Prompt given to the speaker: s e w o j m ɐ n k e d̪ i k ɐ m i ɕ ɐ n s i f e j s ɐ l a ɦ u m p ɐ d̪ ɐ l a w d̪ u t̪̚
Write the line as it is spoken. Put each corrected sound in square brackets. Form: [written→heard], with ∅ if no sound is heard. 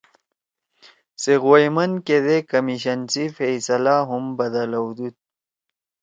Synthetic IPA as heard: s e [w→ɣ] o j m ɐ n k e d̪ [i→e] k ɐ m i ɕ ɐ n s i f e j s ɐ l a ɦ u m [p→b] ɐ d̪ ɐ l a w d̪ u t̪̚